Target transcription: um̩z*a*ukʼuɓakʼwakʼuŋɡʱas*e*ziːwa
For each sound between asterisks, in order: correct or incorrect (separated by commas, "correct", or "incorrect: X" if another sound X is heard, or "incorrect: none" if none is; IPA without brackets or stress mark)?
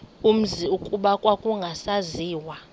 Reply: incorrect: i, incorrect: a